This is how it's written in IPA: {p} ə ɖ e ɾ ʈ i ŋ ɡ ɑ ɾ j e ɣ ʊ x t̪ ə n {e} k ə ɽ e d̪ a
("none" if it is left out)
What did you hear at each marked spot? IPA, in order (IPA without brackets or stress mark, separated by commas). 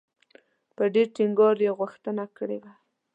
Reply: p, a